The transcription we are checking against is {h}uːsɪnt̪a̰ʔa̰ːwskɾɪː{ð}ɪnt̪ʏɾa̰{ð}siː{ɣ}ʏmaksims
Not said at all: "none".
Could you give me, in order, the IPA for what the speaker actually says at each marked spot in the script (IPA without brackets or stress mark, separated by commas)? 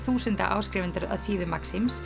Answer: θ, v, ð, ð